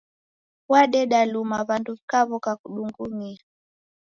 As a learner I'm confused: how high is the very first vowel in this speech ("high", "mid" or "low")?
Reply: low